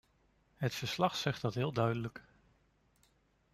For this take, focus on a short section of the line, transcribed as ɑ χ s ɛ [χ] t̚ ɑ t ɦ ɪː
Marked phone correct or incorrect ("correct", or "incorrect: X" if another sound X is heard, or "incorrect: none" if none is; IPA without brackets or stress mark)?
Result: correct